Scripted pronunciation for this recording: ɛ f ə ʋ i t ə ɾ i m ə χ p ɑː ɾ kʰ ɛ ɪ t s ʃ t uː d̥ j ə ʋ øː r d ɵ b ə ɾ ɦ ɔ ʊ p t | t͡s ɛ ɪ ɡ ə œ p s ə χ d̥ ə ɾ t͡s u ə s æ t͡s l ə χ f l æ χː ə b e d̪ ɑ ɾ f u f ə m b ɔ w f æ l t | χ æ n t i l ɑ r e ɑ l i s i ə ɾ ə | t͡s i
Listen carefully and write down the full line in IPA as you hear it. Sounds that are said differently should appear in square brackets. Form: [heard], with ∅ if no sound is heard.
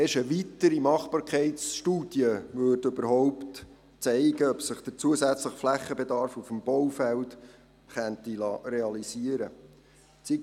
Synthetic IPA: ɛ [ʃ] ə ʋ i t ə ɾ i m [ɑ] χ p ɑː ɾ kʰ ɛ ɪ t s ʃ t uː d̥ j ə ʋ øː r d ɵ b ə ɾ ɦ ɔ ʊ p t | t͡s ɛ ɪ ɡ ə œ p s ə χ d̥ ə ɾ t͡s u ə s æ t͡s l ə χ f l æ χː ə b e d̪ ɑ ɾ f u f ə m b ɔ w f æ l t | χ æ n t i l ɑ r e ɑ l i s i ə ɾ ə | t͡s i